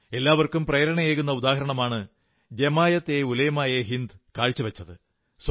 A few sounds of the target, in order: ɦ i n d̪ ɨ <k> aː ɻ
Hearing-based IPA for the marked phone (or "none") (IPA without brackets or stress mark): k